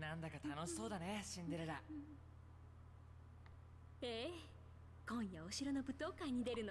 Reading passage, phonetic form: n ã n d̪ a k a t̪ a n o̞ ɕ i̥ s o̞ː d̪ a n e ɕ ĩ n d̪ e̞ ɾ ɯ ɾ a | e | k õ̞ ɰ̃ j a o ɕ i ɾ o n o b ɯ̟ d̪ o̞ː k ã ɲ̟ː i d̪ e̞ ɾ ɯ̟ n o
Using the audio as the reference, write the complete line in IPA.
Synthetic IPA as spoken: n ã n d̪ a k a t̪ a n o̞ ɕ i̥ s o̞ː d̪ a n e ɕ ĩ n d̪ e̞ ɾ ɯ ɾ a | e | k õ̞ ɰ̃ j a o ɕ i ɾ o n o b ɯ̟ t̪ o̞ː k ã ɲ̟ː i d̪ e̞ ɾ ɯ̟ n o